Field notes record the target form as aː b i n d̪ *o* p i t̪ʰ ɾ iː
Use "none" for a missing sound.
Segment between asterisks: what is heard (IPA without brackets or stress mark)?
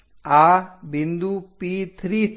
u